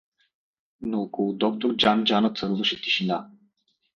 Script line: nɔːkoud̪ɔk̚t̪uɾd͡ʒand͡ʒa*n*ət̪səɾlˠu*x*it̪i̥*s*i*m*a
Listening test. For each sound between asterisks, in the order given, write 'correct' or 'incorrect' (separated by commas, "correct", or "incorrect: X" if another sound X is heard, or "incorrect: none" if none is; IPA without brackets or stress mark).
correct, incorrect: ʃ, incorrect: ʃ, incorrect: n